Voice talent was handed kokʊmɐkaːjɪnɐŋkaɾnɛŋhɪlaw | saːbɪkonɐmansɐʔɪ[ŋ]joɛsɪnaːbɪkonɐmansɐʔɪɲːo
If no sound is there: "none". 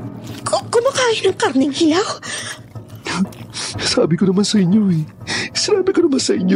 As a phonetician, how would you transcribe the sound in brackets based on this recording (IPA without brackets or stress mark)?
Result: ɲ